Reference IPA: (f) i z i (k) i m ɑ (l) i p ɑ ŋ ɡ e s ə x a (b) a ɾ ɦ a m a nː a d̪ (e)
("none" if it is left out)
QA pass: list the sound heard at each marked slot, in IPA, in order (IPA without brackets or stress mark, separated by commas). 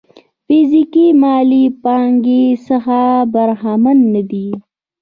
f, k, l, b, i